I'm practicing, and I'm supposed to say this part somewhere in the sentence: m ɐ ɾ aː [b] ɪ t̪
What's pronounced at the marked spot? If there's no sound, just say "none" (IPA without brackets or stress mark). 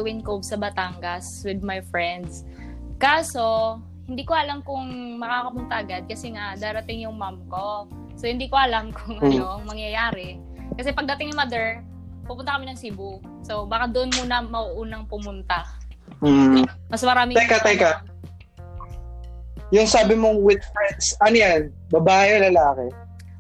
m